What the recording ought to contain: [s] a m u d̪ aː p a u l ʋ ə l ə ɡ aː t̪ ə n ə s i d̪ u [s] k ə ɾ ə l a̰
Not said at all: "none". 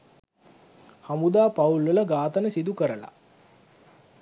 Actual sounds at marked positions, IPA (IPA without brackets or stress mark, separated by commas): h, none